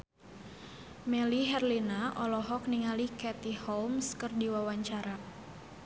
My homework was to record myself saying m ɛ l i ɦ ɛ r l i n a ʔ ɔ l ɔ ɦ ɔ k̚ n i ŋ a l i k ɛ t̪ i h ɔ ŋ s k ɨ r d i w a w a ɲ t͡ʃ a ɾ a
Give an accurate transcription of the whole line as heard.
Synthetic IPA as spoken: m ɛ l i ɦ ɛ r l i n a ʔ ɔ l ɔ ɦ ɔ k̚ n i ŋ a l i k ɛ t̪ i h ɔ m s k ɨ r d i w a w a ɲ t͡ʃ a ɾ a